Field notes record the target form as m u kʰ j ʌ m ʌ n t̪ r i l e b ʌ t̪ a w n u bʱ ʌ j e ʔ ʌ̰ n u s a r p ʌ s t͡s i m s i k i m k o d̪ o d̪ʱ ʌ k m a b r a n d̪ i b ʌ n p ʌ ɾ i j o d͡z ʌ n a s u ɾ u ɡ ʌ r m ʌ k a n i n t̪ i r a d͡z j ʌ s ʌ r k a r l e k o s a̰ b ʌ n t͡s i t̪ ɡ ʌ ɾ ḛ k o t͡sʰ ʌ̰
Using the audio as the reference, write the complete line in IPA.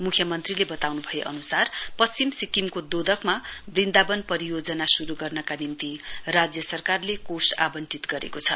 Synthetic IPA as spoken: m u kʰ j ʌ m ʌ n t̪ r i l e b ʌ t̪ a w n u bʱ ʌ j e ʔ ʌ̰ n u s a r p ʌ s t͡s i m s i k i m k o d̪ o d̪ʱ ʌ k m a b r i n d̪ a b ʌ n p ʌ ɾ i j o d͡z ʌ n a s u ɾ u ɡ ʌ r n ʌ k a n i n t̪ i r a d͡z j ʌ s ʌ r k a r l e k o s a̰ b ʌ n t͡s i t̪ ɡ ʌ ɾ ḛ k o t͡sʰ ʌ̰